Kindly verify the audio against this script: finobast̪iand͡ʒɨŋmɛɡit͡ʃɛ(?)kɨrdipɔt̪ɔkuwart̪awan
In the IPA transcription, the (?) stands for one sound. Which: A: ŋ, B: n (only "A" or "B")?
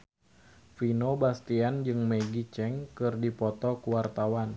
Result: A